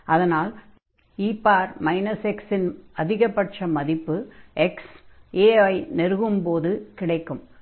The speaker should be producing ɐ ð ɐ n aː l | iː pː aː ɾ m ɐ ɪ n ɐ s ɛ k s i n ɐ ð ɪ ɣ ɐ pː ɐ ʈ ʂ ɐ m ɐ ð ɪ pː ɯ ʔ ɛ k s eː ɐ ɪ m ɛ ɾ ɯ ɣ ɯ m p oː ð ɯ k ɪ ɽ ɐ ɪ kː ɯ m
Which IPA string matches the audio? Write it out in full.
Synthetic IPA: ɐ ð ɐ n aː l | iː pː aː ɾ m ɐ ɪ n ɐ s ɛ k s ɪ n ɐ ð ɪ ɣ ɐ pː ɐ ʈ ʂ ɐ m ɐ ð ɪ pː ɯ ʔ ɛ k s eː ɐ ɪ n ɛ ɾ ɯ ɣ ɯ m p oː ð ɯ k ɪ ɽ ɐ ɪ kː ɯ m